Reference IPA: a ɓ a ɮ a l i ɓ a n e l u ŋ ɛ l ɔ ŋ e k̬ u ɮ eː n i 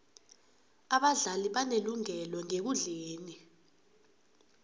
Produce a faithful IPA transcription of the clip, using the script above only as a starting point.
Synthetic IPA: a ɓ a ɮ a l i ɓ a n e l u ŋ ɛ l ɔ ŋ e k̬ u ɮ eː n i